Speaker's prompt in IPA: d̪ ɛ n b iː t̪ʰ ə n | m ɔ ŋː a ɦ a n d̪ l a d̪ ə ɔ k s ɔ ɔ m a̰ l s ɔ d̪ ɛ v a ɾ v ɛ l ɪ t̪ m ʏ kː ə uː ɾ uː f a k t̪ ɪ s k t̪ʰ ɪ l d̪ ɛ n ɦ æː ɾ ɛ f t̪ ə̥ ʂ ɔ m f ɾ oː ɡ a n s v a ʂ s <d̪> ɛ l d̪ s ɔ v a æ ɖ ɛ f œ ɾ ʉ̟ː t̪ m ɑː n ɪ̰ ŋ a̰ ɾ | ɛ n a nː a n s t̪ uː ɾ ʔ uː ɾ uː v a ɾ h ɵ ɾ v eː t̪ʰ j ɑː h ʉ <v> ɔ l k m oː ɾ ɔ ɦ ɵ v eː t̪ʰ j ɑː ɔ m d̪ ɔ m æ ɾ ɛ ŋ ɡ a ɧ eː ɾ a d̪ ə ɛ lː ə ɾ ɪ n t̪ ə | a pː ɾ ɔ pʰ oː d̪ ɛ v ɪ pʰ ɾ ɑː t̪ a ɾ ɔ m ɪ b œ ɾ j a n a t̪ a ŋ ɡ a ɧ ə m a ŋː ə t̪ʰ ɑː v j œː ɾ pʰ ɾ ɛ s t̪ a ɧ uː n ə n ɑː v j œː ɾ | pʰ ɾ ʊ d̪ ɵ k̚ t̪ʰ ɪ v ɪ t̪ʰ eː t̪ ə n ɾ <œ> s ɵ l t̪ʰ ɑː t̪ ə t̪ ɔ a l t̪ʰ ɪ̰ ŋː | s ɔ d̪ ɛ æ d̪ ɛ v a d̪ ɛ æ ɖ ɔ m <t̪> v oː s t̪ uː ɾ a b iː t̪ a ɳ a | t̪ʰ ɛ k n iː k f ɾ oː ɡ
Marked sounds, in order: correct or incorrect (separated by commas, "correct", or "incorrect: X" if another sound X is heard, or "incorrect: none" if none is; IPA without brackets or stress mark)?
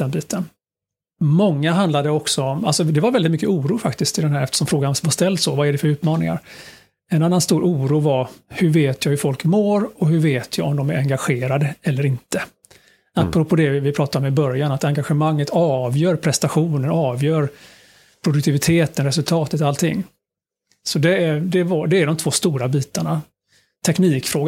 incorrect: t̪, incorrect: f, incorrect: ɛ, incorrect: t̪ʰ